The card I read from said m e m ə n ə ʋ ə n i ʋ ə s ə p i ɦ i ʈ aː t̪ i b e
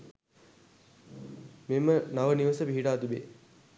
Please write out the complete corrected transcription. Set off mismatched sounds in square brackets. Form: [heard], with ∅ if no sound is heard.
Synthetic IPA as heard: m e m ə n [a] ʋ ə n i ʋ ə s ə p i ɦ i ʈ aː t̪ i b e

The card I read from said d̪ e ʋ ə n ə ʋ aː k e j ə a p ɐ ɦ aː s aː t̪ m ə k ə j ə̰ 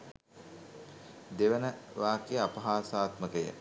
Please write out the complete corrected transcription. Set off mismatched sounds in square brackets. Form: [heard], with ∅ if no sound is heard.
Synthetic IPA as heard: d̪ e ʋ ə n ə ʋ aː k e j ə a p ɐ ɦ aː s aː t̪ m ə k ə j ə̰

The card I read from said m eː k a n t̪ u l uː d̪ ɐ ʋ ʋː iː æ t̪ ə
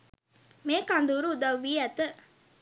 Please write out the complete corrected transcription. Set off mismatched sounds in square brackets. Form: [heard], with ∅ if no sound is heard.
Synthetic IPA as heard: m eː k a n [d̪] u [ɾ] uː d̪ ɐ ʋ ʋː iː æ t̪ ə

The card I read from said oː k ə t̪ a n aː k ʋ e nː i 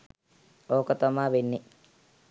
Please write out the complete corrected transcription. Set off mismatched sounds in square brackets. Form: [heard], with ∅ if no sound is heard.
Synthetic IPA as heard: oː k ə t̪ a [m] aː [∅] ʋ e nː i

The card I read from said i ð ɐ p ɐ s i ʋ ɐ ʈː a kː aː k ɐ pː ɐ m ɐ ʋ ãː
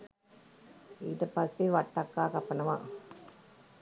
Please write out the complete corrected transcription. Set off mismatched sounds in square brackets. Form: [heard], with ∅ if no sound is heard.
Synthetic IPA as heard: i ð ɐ p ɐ s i ʋ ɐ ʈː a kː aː k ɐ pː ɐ [n] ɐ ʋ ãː

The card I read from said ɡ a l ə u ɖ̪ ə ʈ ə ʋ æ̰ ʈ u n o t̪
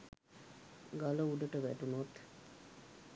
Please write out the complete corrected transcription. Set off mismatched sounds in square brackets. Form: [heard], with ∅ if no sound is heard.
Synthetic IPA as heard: ɡ a l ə u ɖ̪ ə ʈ ə ʋ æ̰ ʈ u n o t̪

